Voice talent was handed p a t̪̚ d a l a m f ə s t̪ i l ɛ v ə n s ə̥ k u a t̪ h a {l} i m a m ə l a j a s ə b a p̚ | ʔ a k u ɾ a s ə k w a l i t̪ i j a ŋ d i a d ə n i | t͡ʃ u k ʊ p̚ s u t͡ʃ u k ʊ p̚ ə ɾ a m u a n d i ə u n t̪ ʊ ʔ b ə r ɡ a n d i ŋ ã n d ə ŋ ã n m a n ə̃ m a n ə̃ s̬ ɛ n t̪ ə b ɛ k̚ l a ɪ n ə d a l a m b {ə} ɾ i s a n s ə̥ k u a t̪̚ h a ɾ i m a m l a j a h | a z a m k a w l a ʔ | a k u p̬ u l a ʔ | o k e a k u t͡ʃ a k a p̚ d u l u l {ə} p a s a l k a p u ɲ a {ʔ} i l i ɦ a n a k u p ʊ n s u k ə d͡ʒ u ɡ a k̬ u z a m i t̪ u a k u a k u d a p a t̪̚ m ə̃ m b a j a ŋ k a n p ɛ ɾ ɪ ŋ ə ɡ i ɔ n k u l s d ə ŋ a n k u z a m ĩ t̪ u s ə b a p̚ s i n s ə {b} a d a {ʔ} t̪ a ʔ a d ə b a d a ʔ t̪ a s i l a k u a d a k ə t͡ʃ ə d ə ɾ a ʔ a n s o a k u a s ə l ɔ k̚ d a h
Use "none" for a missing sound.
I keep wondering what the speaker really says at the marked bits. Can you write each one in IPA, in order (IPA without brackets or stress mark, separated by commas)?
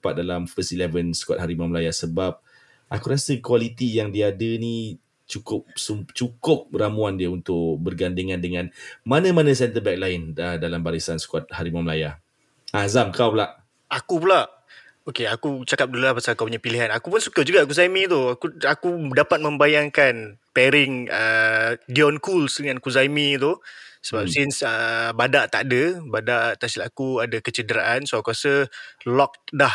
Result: ɾ, a, a, p, b, ʔ